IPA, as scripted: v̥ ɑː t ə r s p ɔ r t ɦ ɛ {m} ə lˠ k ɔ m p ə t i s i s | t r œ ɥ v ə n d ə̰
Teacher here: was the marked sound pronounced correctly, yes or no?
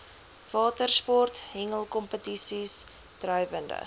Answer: no